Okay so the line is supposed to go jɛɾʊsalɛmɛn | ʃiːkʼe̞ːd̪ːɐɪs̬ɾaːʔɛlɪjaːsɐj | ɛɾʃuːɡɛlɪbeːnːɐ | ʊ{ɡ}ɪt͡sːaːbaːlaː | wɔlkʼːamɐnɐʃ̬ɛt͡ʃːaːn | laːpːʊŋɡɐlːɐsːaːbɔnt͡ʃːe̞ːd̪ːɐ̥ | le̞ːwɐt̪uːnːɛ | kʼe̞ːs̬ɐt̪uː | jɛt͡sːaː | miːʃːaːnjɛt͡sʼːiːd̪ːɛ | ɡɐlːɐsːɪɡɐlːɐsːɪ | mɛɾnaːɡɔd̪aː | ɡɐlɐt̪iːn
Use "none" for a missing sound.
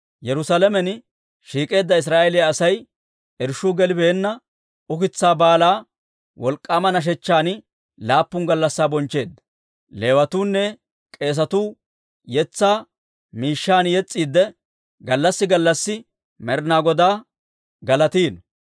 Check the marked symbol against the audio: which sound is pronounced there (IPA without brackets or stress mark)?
k